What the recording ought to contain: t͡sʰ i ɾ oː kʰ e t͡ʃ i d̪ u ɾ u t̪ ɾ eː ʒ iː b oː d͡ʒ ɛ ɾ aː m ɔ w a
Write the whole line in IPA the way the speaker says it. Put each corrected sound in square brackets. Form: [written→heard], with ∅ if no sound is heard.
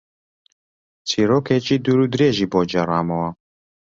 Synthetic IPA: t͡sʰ i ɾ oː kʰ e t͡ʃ i d̪ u ɾ u [t̪→d̪] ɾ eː ʒ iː b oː d͡ʒ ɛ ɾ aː m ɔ w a